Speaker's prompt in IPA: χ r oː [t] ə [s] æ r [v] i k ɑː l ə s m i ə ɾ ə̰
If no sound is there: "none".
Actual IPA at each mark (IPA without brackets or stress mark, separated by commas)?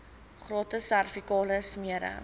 t, s, f